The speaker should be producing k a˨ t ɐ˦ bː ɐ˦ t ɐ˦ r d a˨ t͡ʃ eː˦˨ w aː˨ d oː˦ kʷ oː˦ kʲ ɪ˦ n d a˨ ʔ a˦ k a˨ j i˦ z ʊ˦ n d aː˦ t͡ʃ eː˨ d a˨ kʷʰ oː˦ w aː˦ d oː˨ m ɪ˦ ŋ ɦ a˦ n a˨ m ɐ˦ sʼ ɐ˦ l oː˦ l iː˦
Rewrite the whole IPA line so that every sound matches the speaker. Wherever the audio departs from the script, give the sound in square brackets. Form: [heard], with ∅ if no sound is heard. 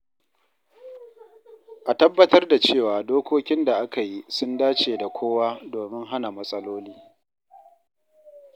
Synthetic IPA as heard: [ʔ] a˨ t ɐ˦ bː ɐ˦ t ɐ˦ r d a˨ t͡ʃ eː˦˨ w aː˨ d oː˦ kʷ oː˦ kʲ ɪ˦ n d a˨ ʔ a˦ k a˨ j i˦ [s] ʊ˦ n d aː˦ t͡ʃ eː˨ d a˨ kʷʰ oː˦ w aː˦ d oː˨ m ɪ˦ ŋ ɦ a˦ n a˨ m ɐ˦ sʼ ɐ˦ l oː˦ l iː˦